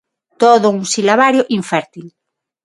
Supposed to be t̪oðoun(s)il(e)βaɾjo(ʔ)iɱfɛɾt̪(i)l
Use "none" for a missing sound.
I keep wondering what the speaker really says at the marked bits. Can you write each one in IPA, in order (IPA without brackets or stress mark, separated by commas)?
s, a, ʔ, i